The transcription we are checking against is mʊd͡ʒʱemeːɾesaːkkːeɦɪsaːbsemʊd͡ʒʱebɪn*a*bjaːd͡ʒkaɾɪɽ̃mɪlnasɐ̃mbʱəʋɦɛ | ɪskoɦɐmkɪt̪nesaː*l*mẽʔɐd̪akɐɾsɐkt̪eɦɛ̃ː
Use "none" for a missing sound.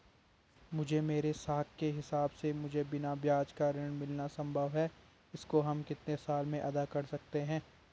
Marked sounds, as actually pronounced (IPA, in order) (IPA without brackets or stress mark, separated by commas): a, l